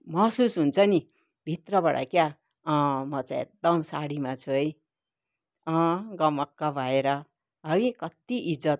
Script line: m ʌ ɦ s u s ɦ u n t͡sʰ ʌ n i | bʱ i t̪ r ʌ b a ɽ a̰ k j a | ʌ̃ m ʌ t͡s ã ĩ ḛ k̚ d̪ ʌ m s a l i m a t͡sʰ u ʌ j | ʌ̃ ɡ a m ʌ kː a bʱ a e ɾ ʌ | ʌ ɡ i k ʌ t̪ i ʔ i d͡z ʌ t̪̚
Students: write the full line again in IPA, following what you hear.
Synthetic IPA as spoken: m ʌ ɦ s u s ɦ u n t͡sʰ ʌ n i | bʱ i t̪ r ʌ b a ɽ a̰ k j a | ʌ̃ m ʌ t͡s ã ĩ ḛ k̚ d̪ ʌ m s a ɽ i m a t͡sʰ u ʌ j | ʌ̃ ɡ ʌ m ʌ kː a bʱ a e ɾ ʌ | ʌ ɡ i k ʌ t̪ i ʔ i d͡z ʌ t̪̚